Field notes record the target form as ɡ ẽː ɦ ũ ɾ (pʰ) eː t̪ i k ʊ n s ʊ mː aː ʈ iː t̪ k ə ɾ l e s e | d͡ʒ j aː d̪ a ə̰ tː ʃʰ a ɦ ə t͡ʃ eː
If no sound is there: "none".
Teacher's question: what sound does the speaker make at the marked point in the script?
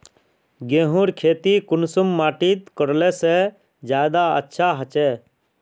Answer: kʰ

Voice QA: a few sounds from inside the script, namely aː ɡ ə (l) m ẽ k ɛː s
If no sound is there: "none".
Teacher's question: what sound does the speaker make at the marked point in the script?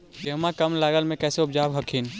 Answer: l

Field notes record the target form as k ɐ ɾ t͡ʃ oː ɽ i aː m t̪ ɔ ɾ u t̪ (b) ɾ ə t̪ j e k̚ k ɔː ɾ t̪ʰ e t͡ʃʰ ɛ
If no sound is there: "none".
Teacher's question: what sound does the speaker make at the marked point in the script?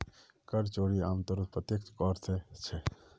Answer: p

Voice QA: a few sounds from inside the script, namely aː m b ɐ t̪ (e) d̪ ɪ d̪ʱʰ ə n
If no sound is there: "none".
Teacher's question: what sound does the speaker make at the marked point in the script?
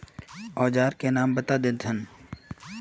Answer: a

